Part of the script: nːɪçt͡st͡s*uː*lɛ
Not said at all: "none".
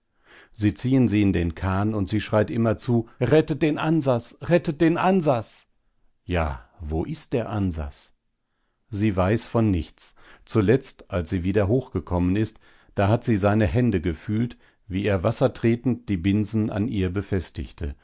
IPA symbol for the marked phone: u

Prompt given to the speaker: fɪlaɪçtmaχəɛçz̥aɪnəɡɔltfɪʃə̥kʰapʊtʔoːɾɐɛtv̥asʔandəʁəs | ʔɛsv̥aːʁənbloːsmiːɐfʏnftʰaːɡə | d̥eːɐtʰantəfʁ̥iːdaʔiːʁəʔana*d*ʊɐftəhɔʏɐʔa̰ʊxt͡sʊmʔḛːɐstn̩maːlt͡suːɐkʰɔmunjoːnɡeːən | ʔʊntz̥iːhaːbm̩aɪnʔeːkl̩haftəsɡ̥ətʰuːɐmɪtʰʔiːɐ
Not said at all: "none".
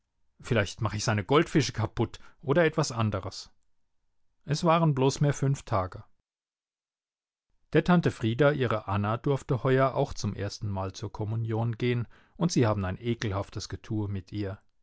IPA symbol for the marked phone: d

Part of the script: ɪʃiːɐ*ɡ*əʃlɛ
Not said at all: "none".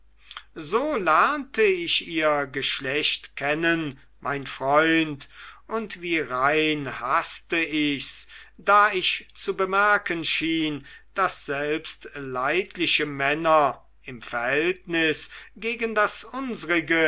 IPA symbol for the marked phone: ɡ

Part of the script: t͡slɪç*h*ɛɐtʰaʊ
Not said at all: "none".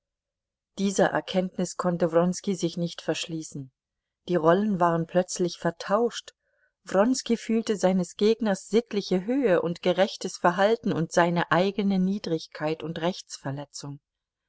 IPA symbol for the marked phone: f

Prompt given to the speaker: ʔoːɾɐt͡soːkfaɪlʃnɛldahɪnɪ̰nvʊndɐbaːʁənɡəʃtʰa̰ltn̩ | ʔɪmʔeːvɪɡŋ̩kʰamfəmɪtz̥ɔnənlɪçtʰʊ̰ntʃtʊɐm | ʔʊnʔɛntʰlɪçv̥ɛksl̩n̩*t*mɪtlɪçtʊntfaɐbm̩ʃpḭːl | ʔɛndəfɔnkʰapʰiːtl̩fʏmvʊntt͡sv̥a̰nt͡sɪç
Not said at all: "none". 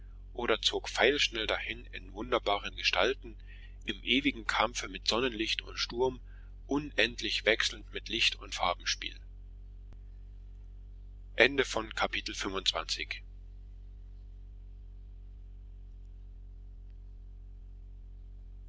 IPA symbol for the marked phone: t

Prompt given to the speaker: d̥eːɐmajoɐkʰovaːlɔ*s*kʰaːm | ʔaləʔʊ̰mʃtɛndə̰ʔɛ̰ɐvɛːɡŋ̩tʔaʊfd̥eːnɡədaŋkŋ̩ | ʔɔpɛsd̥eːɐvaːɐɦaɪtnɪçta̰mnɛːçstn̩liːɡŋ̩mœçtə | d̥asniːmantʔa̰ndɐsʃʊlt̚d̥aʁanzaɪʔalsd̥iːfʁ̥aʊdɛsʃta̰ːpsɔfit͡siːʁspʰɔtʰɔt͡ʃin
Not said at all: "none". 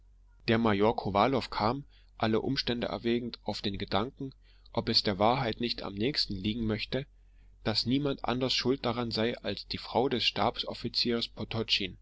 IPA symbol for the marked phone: f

